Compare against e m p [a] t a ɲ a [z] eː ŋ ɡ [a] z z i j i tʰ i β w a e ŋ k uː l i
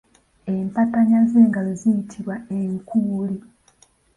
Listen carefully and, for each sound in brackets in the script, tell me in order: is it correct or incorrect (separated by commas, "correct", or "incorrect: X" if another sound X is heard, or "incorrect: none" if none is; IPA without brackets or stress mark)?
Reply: correct, correct, correct